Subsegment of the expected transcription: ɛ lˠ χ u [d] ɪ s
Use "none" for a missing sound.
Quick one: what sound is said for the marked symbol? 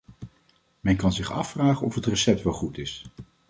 t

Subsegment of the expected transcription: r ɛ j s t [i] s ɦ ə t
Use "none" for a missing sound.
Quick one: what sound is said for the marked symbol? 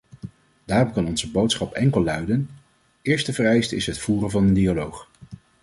ɪ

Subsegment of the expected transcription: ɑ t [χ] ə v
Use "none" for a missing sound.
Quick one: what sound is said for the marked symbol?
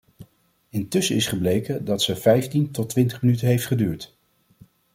s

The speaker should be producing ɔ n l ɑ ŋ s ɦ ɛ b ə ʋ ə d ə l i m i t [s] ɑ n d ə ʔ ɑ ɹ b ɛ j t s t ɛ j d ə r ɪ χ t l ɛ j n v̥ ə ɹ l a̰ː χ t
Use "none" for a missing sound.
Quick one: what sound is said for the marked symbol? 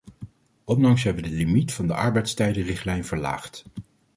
f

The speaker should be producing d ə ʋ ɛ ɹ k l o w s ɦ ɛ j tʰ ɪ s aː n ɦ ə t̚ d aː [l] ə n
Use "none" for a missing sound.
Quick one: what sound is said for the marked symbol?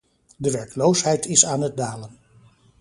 l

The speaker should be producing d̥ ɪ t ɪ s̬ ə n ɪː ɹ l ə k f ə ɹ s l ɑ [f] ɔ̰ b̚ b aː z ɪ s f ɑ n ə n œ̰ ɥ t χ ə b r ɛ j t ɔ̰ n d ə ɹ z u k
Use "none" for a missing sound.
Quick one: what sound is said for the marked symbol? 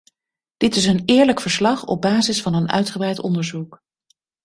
χ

